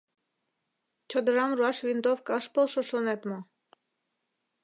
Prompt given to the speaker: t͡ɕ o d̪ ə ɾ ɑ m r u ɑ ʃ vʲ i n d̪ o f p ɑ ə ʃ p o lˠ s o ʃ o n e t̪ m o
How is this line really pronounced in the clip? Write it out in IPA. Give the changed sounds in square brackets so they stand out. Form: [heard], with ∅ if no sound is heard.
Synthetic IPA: t͡ɕ o d̪ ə ɾ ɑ m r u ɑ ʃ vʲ i n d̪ o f [k] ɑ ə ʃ p o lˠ [ʃ] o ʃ o n e t̪ m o